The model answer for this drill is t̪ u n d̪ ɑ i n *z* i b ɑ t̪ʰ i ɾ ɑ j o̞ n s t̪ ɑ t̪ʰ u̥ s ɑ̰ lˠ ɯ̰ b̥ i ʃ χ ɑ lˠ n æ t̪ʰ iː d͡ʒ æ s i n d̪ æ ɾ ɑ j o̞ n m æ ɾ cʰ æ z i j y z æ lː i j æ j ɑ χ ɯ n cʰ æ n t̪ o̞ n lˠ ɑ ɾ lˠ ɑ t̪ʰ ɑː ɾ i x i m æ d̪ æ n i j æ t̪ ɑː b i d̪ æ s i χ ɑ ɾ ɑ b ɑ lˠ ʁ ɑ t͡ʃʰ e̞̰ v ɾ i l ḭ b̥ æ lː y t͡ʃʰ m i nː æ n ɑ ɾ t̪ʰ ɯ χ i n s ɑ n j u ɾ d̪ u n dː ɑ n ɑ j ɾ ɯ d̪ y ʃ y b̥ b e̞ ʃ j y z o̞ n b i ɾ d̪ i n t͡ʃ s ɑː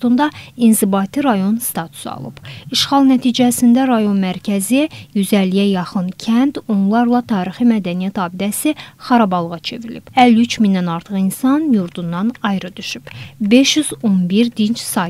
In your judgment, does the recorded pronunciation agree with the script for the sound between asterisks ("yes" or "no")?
yes